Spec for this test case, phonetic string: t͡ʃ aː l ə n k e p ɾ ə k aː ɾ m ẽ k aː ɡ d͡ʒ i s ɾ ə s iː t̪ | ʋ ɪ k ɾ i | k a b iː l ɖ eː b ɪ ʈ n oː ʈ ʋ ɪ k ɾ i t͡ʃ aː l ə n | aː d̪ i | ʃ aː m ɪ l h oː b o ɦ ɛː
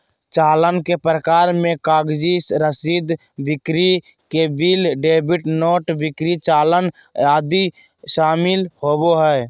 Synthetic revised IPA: t͡ʃ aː l ə n k e p ɾ ə k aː ɾ m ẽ k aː ɡ d͡ʒ i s ɾ ə s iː d̪ | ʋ ɪ k ɾ i | k e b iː l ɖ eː b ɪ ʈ n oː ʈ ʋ ɪ k ɾ i t͡ʃ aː l ə n | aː d̪ i | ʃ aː m ɪ l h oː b o ɦ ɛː